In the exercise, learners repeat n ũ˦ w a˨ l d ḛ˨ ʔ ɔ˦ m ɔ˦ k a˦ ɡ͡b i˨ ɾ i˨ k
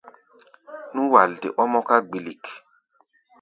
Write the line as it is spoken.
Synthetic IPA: n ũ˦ w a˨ l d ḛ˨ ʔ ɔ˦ m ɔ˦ k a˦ ɡ͡b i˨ l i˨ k